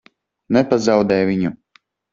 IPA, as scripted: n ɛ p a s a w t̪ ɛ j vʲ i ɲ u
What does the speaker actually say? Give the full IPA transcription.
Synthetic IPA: n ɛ p a z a w d̪ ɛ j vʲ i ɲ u